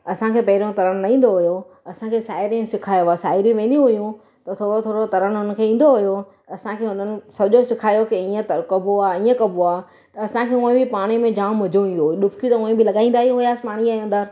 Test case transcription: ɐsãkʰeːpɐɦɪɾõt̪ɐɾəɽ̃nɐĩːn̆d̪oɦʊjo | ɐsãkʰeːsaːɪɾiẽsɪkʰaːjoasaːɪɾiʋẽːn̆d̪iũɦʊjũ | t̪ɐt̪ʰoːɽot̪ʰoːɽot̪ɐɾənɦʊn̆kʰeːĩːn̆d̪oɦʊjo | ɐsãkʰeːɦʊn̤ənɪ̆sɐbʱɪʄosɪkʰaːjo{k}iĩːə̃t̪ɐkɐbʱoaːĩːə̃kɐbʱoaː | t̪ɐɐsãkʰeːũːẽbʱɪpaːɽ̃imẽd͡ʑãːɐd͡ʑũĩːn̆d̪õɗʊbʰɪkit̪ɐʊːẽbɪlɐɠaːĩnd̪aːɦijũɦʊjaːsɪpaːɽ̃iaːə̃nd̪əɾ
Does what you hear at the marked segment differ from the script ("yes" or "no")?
no